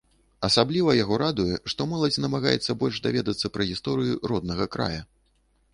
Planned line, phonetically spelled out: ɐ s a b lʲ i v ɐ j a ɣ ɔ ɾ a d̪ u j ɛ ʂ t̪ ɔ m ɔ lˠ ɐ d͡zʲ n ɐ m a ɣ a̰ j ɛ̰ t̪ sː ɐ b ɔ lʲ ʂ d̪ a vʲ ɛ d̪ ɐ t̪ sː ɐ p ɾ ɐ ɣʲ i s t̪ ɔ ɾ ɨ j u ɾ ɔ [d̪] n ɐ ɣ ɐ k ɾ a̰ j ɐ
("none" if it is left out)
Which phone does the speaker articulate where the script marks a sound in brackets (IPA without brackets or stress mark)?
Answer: d̪